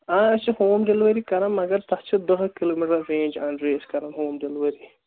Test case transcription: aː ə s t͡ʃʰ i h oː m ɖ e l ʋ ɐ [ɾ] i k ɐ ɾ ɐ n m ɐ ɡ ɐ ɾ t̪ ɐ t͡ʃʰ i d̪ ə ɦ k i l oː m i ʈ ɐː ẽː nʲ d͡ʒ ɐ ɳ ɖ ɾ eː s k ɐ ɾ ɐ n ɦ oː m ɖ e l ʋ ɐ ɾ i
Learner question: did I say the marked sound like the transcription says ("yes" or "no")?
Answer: yes